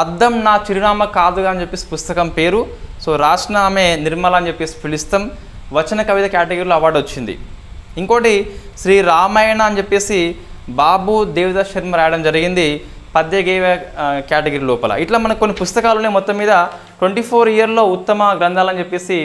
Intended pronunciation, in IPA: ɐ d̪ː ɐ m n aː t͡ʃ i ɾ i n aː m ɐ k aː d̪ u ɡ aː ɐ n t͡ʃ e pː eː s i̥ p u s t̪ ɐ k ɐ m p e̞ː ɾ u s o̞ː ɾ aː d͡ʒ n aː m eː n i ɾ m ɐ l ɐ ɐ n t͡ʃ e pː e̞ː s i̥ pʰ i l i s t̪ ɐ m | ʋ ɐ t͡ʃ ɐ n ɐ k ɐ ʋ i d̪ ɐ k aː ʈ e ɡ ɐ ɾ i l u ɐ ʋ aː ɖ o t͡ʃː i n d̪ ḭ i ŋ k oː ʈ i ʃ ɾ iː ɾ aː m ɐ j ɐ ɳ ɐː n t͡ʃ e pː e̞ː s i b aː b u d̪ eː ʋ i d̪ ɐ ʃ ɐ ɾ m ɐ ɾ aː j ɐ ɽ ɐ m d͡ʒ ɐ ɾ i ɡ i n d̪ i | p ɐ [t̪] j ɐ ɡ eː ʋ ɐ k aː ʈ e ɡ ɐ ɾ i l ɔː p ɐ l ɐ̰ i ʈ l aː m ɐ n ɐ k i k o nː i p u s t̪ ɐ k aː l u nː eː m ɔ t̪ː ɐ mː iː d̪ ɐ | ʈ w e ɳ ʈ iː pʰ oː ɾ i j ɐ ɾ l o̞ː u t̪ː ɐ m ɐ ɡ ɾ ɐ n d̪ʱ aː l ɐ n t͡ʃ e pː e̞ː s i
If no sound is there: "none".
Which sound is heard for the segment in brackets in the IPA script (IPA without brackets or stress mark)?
d̪